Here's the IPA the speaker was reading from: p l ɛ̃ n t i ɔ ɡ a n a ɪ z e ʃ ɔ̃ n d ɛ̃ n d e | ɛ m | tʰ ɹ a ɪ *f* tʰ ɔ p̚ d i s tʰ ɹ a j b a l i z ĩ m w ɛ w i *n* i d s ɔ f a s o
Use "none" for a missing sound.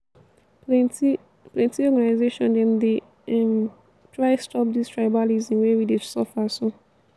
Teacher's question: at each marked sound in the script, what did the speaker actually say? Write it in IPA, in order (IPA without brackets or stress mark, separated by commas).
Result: s, d